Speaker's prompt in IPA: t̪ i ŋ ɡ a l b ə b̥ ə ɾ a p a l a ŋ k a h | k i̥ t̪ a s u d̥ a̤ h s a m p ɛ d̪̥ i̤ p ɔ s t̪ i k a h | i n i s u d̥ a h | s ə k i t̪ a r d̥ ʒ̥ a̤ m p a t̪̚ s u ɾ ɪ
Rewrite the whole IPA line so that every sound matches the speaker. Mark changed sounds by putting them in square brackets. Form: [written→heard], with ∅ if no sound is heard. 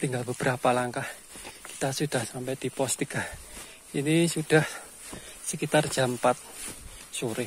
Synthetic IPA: t̪ i ŋ ɡ a l b ə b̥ ə ɾ a p a l a ŋ k a h | k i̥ t̪ a s u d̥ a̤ h s a m p ɛ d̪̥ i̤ p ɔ s t̪ i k a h | i n i s u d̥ a h | s ə k i t̪ a r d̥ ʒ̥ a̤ m p a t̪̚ s u ɾ ɪ